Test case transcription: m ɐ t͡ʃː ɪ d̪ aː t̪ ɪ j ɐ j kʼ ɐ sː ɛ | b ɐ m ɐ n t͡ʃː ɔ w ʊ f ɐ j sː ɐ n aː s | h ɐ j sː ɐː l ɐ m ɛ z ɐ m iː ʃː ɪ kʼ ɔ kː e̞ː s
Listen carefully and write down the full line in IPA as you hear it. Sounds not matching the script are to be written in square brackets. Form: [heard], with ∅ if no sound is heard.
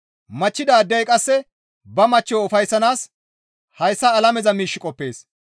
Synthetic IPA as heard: m ɐ t͡ʃː ɪ d̪ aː [d̪] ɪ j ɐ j kʼ ɐ sː ɛ | b ɐ m ɐ [∅] t͡ʃː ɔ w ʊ f ɐ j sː ɐ n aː s | h ɐ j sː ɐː l ɐ m ɛ z ɐ m iː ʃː ɪ kʼ ɔ [pː] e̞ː s